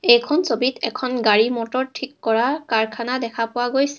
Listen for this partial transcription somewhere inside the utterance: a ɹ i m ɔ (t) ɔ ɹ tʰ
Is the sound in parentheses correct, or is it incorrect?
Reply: correct